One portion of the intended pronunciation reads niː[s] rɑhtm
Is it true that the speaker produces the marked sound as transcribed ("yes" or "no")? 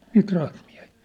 no